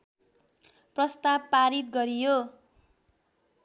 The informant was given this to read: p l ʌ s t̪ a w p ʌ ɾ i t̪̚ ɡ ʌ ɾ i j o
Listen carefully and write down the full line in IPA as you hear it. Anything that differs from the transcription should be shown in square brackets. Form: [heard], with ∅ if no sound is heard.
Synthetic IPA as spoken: p [r] ʌ s t̪ a [b] p [a] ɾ i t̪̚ ɡ ʌ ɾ i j o